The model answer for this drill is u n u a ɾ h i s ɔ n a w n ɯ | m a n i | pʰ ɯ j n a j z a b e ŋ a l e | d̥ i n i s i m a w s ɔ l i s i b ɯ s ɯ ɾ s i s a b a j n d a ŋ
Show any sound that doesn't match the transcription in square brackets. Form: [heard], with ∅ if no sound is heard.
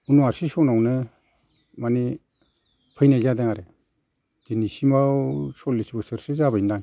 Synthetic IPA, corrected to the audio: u n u a ɾ [s] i s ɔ n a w n ɯ | m a n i | pʰ ɯ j n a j z a [d] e ŋ a [ɾ] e | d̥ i n i s i m a w s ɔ l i s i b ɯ s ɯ ɾ s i [z] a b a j n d a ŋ